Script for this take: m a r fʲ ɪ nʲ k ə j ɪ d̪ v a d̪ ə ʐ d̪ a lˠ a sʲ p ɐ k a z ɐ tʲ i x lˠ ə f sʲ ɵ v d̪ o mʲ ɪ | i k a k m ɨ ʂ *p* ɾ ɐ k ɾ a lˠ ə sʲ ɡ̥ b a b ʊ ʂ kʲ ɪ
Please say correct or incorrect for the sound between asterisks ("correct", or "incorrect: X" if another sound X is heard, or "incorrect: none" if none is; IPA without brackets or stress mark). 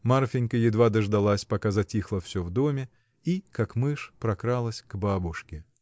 correct